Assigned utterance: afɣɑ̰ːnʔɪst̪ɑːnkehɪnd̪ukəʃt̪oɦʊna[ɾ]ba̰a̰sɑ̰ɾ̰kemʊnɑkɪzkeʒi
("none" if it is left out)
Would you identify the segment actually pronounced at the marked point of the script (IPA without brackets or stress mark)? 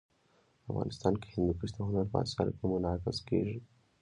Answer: ɾ